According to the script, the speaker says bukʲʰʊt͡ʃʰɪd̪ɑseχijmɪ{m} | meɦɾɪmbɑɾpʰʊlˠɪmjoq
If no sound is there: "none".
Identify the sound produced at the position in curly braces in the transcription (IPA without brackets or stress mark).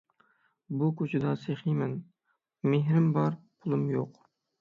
n